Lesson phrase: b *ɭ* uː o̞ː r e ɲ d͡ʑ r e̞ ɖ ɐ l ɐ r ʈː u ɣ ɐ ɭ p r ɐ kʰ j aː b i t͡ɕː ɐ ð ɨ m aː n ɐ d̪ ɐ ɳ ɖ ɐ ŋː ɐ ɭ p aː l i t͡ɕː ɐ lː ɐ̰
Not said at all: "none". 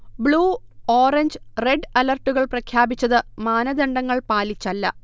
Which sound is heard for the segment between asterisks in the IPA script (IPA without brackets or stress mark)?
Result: ɭ